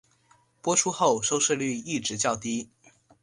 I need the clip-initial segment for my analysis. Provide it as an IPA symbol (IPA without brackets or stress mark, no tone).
p